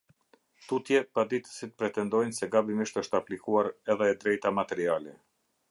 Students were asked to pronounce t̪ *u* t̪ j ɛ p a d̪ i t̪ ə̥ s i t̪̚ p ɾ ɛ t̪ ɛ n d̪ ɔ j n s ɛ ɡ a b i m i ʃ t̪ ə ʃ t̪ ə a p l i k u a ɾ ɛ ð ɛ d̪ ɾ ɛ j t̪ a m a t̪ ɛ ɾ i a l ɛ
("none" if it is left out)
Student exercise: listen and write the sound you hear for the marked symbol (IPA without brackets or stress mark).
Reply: u